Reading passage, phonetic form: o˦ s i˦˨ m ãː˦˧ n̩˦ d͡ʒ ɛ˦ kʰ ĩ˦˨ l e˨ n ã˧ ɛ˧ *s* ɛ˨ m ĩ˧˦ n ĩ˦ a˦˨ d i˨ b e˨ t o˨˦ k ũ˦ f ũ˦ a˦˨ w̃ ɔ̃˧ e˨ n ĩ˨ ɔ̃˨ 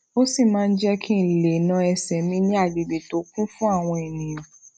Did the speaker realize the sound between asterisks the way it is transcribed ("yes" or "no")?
yes